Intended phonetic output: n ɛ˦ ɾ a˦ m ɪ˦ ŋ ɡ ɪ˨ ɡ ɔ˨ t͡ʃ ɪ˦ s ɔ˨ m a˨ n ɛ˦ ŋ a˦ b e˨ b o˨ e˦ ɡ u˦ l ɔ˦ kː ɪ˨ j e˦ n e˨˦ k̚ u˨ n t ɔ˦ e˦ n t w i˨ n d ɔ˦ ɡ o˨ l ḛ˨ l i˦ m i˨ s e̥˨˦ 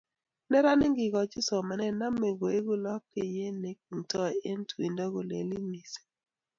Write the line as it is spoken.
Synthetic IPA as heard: n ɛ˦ ɾ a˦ n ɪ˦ ŋ ɡ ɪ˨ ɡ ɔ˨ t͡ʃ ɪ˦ s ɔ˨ m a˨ n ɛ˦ n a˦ m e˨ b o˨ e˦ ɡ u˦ l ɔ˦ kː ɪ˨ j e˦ n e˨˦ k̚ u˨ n t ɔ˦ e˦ n t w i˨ n d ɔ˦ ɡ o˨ l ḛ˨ l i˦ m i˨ s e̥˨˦